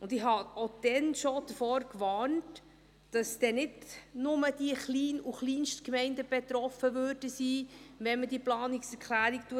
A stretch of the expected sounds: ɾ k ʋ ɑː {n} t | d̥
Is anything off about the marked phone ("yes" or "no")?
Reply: no